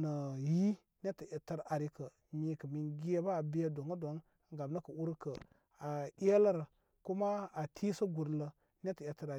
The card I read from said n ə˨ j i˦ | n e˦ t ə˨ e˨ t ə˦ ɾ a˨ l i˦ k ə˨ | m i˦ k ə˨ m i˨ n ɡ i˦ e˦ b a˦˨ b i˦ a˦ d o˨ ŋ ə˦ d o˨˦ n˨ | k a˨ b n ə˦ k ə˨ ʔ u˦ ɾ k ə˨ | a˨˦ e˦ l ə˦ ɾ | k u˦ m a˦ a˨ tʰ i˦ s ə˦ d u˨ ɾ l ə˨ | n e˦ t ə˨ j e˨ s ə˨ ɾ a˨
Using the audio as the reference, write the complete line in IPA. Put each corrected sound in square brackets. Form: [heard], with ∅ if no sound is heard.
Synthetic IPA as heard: n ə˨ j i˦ | n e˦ t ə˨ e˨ t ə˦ ɾ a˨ [ɾ] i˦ k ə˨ | m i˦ k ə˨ m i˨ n ɡ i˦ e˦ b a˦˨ b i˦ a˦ d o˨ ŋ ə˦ d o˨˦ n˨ | [ɡ] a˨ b n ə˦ k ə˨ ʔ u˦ ɾ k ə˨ | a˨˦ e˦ l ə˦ ɾ | k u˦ m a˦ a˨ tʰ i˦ s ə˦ [ɡ] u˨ ɾ l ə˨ | n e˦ t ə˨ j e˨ [t] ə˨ ɾ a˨

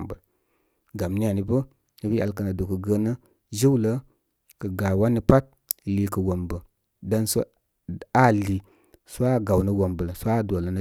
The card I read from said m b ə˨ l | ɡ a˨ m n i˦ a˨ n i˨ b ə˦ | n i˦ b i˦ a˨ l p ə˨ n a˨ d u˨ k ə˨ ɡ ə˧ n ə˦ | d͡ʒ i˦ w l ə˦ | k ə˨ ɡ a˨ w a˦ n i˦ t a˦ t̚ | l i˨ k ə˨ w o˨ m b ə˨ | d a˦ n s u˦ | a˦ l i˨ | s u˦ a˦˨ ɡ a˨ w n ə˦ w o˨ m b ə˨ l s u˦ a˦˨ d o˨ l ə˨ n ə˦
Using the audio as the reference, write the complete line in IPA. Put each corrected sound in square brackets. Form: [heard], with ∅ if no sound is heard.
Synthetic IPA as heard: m b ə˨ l | ɡ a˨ m n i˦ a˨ n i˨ b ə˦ | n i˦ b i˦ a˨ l [k] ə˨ n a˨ d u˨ k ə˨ ɡ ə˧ n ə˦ | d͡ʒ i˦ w l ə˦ | k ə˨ ɡ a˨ w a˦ n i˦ [p] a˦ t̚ | l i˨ k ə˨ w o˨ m b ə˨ | d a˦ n s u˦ | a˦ l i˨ | s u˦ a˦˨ ɡ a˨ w n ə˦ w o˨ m b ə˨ l s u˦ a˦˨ d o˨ l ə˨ n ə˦

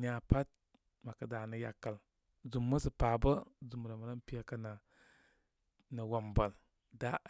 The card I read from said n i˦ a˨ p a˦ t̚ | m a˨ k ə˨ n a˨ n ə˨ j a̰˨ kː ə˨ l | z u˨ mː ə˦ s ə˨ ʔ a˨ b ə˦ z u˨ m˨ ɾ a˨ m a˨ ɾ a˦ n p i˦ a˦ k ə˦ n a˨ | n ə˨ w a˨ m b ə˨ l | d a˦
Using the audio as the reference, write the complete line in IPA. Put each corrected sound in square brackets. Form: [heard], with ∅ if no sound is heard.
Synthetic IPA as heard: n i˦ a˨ p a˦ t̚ | m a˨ k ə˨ [d] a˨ n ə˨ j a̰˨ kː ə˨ l | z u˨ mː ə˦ s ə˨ [p] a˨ b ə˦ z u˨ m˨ ɾ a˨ m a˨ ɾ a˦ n p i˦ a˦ k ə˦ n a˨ | n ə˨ w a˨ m b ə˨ l | d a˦

